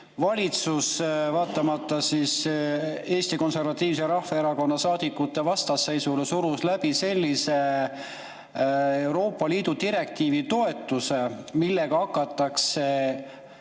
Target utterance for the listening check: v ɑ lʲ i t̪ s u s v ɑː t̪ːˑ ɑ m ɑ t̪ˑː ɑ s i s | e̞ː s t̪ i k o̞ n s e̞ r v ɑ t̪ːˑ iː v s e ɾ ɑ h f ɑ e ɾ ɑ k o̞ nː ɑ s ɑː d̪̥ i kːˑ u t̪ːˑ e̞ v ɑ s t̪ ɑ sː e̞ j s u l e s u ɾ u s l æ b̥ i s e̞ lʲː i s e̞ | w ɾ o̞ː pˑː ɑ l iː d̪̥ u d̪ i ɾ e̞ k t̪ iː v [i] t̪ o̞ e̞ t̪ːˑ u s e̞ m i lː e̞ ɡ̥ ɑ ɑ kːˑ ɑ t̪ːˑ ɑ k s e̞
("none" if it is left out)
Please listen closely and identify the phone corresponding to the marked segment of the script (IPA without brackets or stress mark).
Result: i